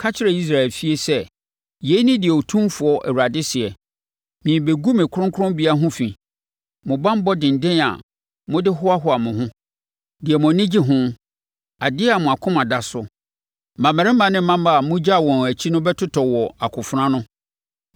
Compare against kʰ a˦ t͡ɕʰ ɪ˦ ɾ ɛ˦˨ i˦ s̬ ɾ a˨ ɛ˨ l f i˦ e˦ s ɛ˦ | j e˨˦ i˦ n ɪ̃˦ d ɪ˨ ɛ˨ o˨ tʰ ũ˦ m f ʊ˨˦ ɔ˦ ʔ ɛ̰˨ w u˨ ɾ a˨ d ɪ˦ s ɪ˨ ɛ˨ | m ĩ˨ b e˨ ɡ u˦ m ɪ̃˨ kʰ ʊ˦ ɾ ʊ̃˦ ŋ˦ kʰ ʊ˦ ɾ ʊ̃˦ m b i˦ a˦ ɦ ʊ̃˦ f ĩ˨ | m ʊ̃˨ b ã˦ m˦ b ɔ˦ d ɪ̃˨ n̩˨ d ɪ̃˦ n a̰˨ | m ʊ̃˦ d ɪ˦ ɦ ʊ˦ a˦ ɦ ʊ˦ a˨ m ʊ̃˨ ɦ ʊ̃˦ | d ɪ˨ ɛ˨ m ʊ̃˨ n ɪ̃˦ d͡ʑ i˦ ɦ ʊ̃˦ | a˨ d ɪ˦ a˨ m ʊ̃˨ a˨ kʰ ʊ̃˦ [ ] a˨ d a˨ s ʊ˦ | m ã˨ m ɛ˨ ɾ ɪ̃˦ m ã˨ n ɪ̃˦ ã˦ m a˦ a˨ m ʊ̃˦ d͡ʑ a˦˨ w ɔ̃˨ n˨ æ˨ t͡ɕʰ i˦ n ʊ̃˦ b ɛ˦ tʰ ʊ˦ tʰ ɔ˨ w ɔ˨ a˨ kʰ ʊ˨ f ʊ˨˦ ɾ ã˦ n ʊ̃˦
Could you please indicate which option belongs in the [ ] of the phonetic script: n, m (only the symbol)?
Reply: m